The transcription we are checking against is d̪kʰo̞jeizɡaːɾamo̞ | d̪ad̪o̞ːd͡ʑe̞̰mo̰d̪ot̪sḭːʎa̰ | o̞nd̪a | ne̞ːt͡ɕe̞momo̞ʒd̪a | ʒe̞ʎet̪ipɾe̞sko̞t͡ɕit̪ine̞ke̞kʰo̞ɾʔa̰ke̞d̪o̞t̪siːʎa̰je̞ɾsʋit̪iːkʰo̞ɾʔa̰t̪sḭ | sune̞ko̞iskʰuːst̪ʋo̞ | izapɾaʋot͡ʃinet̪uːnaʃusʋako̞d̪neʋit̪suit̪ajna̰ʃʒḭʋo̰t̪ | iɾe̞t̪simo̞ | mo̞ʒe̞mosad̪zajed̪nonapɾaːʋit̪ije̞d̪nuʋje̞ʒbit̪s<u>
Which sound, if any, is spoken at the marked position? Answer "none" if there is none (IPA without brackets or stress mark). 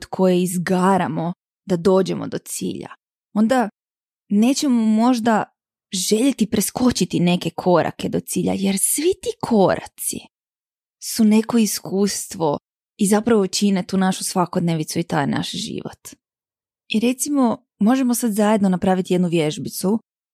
u